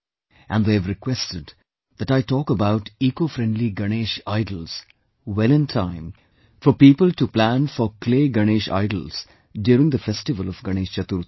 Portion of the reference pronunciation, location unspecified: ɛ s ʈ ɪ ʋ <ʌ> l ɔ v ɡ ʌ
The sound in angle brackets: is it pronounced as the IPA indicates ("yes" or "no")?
no